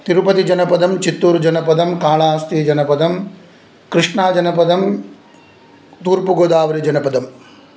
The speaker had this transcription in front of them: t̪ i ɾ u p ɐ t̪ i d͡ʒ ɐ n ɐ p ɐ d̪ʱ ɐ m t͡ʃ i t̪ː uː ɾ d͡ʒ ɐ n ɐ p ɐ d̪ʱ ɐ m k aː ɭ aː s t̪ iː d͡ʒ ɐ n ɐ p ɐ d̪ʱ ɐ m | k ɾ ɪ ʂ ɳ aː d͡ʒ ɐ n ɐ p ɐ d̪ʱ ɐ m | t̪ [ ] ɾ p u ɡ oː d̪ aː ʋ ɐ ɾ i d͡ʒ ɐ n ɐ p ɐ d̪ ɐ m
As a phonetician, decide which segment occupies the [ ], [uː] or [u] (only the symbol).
uː